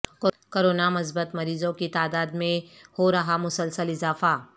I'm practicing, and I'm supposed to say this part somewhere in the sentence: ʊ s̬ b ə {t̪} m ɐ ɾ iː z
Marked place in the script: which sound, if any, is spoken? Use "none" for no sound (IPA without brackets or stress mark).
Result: t̪